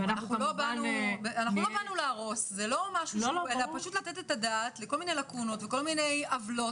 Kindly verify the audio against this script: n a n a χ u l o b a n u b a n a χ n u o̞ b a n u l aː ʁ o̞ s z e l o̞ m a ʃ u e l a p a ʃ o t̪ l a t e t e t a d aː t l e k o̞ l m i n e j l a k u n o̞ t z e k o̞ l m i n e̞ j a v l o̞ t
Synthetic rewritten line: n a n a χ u l o b a n u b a n a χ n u o̞ b a n u l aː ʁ o̞ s z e l o̞ m a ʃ u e l a p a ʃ u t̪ l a t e t e t a d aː t l e k o̞ l m i n e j l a k u n o̞ t v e k o̞ l m i n e̞ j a v l o̞ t